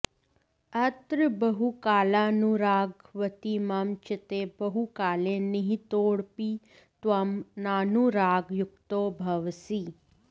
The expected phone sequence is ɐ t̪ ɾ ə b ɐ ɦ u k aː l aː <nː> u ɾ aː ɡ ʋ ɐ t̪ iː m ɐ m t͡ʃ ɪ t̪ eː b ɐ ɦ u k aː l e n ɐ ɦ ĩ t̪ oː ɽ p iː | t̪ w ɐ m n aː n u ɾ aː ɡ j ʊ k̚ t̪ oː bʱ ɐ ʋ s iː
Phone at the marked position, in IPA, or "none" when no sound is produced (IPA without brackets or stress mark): n